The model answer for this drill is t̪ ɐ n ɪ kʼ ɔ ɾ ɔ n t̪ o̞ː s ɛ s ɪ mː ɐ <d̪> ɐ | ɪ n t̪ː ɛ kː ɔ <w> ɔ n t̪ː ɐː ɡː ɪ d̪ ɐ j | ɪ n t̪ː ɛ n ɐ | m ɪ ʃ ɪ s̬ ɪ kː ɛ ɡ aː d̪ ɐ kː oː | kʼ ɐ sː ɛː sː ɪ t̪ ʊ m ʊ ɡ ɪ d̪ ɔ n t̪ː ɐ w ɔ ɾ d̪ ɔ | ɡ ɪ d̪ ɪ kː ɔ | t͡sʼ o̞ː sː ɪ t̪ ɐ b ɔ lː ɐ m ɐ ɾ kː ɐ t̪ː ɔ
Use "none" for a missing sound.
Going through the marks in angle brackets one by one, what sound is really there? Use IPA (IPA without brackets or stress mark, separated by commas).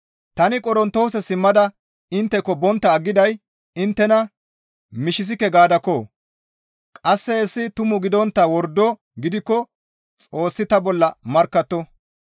d̪, b